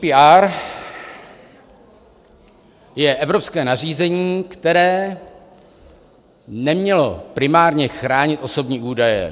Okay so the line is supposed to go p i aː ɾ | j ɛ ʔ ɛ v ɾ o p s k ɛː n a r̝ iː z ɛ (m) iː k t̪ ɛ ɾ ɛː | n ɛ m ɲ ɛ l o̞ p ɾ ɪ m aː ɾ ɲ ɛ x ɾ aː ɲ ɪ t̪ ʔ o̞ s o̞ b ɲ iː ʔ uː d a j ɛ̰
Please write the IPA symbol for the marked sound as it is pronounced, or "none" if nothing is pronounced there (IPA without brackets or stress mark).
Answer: ɲ